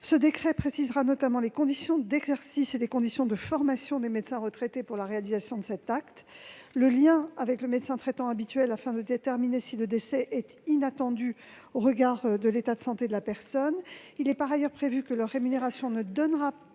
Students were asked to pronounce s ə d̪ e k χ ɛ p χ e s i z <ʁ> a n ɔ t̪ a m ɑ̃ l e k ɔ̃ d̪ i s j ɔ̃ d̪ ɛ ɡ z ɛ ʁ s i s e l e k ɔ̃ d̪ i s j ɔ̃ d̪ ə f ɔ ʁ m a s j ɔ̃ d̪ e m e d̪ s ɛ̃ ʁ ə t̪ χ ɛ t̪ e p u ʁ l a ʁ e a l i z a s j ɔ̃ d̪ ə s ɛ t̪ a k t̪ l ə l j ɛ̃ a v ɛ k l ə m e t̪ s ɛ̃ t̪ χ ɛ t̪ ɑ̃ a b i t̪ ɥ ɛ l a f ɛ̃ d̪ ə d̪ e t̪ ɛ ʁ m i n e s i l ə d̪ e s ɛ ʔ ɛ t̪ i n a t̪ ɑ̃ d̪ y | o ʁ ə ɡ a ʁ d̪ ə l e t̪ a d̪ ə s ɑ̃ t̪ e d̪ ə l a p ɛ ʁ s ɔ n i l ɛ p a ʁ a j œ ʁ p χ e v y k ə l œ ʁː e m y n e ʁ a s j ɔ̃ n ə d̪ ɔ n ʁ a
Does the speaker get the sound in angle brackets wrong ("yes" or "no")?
no